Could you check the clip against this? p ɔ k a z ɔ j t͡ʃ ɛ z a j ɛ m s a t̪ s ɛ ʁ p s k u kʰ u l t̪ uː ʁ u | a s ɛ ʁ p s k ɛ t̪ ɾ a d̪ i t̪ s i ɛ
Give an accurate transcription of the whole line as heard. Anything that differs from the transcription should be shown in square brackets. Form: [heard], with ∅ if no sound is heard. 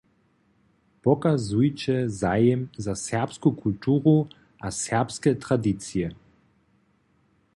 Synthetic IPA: p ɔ k a z [u] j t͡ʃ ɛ z a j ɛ m [z] a [∅] s ɛ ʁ p s k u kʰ u l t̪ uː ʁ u | a s ɛ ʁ p s k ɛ t̪ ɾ a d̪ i t̪ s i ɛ